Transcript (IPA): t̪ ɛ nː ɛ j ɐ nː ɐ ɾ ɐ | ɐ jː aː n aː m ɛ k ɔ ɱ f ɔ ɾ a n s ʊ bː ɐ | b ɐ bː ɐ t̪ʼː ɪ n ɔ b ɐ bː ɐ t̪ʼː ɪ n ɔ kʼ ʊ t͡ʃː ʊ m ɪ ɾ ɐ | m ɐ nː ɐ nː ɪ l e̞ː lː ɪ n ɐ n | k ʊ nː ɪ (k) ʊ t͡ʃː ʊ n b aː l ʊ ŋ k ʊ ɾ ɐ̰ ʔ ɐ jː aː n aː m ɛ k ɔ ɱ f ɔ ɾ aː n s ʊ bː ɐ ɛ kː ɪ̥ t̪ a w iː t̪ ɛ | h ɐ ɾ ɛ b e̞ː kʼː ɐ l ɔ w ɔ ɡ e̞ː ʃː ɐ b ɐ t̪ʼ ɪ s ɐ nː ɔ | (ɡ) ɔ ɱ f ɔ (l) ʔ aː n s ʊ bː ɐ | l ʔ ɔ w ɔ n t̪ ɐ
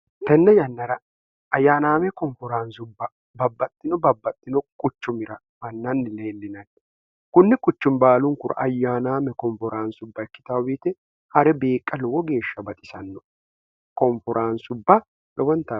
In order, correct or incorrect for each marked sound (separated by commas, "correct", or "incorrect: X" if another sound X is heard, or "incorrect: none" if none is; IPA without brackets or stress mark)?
incorrect: kʼ, incorrect: k, incorrect: ɾ